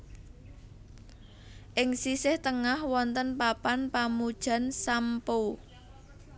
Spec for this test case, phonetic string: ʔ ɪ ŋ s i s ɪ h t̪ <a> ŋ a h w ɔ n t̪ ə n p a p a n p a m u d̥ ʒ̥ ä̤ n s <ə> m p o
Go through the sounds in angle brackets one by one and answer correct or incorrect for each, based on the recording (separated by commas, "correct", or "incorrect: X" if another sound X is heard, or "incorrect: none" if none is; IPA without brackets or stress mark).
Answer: incorrect: ə, incorrect: a